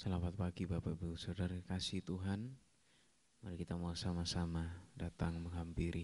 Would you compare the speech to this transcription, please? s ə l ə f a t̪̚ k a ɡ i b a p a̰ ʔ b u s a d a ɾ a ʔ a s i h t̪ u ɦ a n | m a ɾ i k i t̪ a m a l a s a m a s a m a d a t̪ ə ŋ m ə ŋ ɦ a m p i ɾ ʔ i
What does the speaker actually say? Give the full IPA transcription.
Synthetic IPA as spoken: s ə l a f a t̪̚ p a ɡ i b a p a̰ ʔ b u s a d a ɾ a k a s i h t̪ u ɦ a n | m a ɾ i k i t̪ a m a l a s a m a s a m a d a t̪ a ŋ m ə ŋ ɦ a m p i ɾ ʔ i